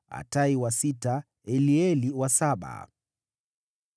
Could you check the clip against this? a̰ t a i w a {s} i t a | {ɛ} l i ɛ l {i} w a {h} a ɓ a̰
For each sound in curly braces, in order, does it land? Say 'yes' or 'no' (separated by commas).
yes, yes, yes, no